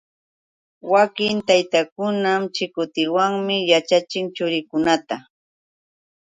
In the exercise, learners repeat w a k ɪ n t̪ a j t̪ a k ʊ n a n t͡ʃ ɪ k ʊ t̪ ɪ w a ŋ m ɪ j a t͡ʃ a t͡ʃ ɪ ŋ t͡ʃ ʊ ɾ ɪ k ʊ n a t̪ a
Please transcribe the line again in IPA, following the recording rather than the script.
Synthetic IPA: w a k ɪ n t̪ a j t̪ a k ʊ n a m t͡ʃ ɪ k ʊ t̪ ɪ w a ŋ m ɪ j a t͡ʃ a t͡ʃ ɪ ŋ t͡ʃ ʊ ɾ ɪ k ʊ n a t̪ a